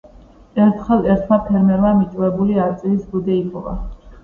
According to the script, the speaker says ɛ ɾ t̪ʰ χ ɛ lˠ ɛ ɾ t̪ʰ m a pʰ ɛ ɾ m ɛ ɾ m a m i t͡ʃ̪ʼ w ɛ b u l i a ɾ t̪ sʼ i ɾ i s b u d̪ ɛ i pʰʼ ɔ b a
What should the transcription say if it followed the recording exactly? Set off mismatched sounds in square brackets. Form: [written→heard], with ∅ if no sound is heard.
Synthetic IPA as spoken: ɛ ɾ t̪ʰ χ ɛ lˠ ɛ ɾ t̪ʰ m a pʰ ɛ ɾ m ɛ ɾ m a m i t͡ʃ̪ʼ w ɛ b u l i a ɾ t̪ sʼ i [ɾ→l] i s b u d̪ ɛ i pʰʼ ɔ [b→v] a